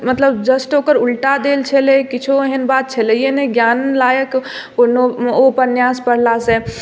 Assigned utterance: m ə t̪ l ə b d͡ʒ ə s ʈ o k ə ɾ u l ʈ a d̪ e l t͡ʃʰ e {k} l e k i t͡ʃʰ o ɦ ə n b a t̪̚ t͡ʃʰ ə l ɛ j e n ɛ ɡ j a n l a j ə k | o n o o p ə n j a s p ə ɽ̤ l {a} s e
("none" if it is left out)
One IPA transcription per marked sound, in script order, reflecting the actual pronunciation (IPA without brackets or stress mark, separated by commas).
none, a